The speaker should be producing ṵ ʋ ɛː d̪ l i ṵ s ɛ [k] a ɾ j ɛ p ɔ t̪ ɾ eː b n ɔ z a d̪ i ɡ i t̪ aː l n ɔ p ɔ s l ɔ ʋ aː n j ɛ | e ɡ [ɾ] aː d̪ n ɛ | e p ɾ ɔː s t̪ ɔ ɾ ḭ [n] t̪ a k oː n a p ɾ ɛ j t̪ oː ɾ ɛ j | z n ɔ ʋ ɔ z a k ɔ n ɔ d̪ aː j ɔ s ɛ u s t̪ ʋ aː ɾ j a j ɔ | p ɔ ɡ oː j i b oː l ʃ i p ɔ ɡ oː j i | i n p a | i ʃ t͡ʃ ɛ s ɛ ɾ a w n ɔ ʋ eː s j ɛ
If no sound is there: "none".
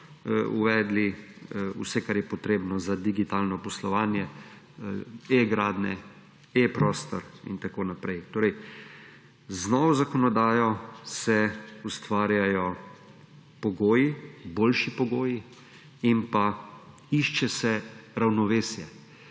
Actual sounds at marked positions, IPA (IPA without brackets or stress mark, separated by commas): k, ɾ, n